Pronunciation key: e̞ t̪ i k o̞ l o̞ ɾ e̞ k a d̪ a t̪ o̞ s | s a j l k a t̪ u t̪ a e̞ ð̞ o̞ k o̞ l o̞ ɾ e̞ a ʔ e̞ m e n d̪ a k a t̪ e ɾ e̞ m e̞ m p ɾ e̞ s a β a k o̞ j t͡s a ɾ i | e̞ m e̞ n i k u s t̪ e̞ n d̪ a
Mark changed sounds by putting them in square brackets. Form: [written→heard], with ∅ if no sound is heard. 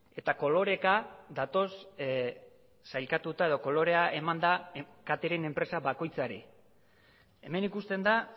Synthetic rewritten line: e̞ t̪ [i→a] k o̞ l o̞ ɾ e̞ k a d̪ a t̪ o̞ s | s a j l k a t̪ u t̪ a e̞ ð̞ o̞ k o̞ l o̞ ɾ e̞ a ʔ e̞ m [e→a] n d̪ a k a t̪ e ɾ e̞ [m→n] e̞ m p ɾ e̞ s a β a k o̞ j t͡s a ɾ i | e̞ m e̞ n i k u s t̪ e̞ n d̪ a